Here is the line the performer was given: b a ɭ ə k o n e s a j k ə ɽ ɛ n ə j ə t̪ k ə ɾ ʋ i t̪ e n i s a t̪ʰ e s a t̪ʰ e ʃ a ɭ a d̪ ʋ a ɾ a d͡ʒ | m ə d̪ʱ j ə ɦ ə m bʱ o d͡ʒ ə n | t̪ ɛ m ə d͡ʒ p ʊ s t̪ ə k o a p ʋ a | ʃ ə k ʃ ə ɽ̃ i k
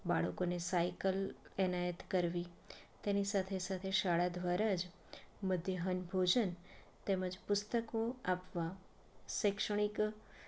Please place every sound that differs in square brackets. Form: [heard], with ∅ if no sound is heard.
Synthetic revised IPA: b a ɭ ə k o n e s a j k ə [l] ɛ n [a] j ə t̪ k ə ɾ ʋ i t̪ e n i s a t̪ʰ e s a t̪ʰ e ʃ a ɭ a d̪ ʋ a ɾ a d͡ʒ | m ə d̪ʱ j ə ɦ ə [n] bʱ o d͡ʒ ə n | t̪ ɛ m ə d͡ʒ p ʊ s t̪ ə k o a p ʋ a | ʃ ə k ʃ ə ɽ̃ i k

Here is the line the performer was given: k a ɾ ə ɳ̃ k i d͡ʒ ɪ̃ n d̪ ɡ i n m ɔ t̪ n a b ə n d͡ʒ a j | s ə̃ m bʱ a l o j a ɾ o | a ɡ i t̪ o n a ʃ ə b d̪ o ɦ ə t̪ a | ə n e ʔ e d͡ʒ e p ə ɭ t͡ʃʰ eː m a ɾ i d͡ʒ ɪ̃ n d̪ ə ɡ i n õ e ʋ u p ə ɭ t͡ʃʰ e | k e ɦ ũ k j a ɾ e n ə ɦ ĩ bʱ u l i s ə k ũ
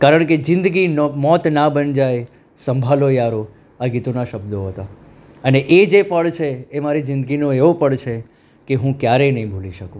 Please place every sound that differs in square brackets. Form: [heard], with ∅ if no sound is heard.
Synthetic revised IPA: k a ɾ ə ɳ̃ k [e] d͡ʒ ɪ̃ n d̪ ɡ i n m ɔ t̪ n a b ə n d͡ʒ a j | s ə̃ m bʱ a l o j a ɾ o | a ɡ i t̪ o n a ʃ ə b d̪ o ɦ ə t̪ a | ə n e ʔ e d͡ʒ e p ə ɭ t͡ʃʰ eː m a ɾ i d͡ʒ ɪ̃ n d̪ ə ɡ i n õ e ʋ [o] p ə ɭ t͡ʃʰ e | k e ɦ ũ k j a ɾ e n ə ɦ ĩ bʱ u l i [ʃ] ə k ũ

